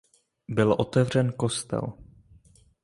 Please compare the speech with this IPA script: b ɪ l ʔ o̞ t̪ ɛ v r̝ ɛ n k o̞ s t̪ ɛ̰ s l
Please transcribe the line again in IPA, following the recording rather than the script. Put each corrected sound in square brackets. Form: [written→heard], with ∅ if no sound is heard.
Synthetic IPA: b ɪ l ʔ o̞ t̪ ɛ v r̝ ɛ n k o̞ s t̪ ɛ̰ [s→∅] l